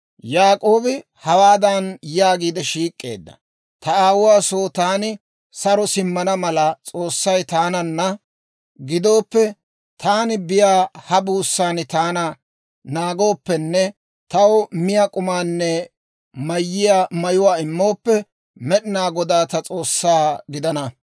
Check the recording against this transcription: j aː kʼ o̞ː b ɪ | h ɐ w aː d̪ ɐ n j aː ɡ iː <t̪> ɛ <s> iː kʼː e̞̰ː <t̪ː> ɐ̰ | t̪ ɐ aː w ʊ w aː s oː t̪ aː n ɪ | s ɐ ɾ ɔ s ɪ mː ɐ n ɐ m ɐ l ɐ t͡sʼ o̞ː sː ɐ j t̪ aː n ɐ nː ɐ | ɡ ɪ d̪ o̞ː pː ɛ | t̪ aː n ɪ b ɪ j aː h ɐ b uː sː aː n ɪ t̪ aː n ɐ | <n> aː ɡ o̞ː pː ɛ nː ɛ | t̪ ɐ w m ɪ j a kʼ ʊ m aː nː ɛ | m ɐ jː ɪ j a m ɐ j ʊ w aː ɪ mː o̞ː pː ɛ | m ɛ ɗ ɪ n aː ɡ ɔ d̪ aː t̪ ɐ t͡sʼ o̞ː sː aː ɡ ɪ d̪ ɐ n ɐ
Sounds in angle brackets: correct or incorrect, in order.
incorrect: d̪, incorrect: ʃ, incorrect: d̪ː, correct

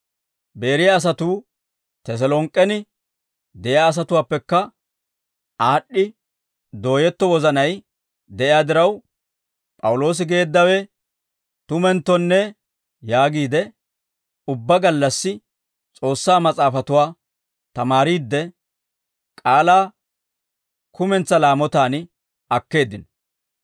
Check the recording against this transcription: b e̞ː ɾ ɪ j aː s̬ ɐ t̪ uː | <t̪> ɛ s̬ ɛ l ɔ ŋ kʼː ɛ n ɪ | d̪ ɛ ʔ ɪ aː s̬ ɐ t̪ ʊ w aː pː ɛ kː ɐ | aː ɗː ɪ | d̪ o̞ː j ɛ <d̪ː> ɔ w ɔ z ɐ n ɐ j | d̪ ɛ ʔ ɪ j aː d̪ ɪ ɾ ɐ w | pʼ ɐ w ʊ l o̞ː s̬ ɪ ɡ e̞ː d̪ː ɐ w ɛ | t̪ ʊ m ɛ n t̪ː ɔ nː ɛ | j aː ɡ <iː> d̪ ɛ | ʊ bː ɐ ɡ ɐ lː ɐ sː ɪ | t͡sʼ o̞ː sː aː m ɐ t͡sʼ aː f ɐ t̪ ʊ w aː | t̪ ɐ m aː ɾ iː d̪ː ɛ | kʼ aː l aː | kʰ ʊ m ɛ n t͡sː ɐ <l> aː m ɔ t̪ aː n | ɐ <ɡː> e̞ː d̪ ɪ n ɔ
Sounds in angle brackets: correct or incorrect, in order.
correct, incorrect: t̪ː, correct, correct, incorrect: kː

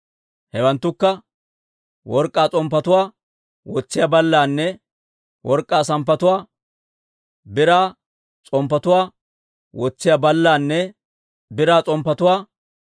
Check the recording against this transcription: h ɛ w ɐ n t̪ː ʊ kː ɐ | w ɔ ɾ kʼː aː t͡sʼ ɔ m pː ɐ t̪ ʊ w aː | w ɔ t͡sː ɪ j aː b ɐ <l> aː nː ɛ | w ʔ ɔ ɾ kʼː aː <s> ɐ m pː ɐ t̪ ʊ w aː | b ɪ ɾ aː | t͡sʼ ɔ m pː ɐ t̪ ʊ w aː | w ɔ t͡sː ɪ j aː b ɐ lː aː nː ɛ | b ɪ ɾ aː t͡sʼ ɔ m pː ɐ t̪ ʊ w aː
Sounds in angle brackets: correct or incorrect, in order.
incorrect: lː, correct

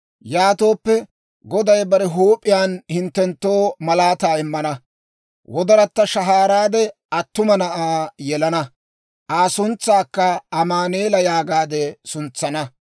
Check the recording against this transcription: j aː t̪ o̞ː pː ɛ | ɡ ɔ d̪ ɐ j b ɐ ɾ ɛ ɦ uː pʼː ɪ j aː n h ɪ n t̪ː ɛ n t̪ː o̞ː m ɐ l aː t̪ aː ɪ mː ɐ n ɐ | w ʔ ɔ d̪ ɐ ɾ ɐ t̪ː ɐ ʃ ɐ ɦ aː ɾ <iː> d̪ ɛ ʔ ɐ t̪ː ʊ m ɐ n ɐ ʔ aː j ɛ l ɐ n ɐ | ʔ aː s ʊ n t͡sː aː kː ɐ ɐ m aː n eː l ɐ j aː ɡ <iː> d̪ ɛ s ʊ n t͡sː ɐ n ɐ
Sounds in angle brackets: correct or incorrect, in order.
incorrect: aː, incorrect: aː

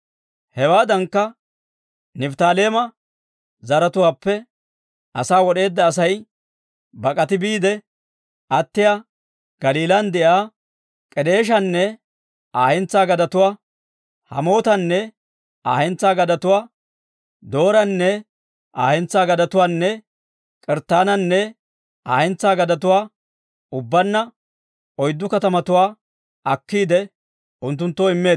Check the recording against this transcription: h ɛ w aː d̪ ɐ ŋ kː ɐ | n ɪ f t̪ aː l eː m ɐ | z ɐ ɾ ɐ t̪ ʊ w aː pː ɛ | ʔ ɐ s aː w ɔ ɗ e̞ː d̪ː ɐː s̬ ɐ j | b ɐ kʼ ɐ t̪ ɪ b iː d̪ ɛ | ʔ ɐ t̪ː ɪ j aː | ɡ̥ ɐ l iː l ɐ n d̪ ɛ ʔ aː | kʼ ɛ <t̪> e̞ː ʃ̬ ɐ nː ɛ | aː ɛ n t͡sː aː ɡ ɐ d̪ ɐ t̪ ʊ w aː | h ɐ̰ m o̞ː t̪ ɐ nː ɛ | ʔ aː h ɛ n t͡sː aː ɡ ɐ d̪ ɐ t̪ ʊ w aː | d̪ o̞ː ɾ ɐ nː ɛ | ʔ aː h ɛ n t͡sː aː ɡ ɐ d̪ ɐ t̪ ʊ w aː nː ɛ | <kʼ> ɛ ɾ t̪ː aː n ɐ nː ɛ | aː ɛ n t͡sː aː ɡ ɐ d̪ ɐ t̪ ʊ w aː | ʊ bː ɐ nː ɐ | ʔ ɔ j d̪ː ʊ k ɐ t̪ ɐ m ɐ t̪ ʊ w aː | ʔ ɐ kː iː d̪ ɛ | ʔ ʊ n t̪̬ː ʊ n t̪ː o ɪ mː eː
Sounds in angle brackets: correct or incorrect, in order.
incorrect: d̪, correct

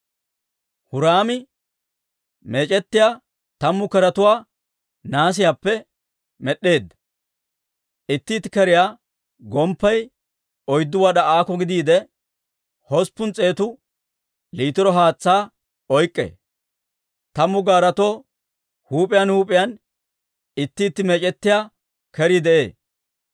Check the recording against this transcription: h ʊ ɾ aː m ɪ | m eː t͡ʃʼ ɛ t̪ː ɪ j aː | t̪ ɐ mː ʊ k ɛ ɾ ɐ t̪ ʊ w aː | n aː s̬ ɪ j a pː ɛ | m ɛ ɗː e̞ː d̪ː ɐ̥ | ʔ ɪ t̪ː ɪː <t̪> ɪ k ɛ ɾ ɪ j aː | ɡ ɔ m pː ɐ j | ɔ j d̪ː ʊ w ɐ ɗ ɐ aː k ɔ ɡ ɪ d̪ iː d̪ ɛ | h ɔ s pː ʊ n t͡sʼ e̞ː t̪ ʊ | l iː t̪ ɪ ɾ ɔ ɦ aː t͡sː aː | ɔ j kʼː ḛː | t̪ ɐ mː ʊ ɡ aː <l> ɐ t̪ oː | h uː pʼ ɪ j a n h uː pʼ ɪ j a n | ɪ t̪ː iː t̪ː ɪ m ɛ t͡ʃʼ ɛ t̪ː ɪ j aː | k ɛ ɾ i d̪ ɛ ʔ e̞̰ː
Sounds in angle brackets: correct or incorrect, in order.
correct, incorrect: ɾ

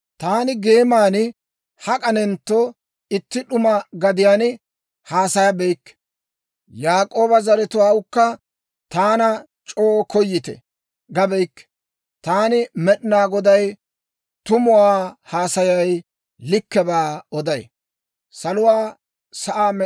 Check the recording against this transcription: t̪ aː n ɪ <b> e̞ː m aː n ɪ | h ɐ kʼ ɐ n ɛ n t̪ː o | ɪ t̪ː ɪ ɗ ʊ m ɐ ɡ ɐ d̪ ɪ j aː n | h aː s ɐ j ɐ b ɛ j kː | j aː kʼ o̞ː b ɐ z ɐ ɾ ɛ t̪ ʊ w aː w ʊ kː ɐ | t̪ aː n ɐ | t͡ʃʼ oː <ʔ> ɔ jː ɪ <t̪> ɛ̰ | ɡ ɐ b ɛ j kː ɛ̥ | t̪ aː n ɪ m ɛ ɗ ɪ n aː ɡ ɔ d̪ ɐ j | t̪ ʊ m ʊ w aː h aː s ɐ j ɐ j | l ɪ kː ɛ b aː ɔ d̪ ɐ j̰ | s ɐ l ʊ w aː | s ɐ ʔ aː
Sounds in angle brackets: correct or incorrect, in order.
incorrect: ɡ, incorrect: k, correct

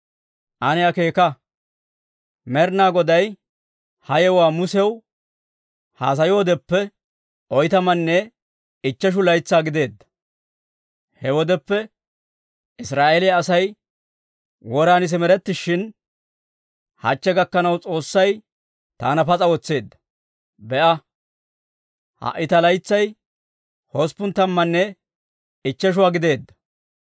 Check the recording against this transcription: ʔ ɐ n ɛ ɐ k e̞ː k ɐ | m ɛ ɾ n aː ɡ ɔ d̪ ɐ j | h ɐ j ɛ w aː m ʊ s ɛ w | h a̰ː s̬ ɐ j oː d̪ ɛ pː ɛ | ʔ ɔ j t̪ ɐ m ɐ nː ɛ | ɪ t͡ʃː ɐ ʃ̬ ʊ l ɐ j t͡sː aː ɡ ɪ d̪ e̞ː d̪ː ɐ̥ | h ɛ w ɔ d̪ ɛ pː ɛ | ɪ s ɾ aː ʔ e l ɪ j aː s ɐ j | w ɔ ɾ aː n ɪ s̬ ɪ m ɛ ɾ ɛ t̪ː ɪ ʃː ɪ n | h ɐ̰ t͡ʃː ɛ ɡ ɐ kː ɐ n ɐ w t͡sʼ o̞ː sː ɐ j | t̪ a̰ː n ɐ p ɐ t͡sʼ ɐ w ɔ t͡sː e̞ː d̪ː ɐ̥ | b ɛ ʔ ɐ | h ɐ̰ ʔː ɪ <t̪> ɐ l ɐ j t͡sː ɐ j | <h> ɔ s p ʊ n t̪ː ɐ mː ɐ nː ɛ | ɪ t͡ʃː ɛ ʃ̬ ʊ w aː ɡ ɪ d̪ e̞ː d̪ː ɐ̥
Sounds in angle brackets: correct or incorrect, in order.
correct, correct

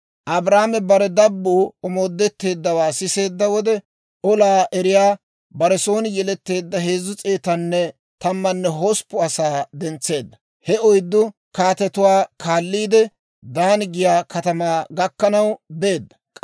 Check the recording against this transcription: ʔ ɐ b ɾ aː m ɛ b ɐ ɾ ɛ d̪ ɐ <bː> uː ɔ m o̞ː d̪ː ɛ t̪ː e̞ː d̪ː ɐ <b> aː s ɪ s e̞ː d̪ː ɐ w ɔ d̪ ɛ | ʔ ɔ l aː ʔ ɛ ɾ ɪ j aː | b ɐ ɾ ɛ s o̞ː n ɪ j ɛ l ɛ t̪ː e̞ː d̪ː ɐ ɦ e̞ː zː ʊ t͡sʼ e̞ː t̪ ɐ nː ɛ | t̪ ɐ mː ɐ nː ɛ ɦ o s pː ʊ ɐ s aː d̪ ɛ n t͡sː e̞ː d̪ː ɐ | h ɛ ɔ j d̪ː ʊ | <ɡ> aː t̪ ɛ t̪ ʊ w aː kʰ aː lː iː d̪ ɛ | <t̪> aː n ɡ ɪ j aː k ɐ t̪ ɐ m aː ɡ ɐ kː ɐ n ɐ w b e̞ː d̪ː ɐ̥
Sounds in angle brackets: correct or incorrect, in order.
correct, incorrect: w, incorrect: k, incorrect: d̪

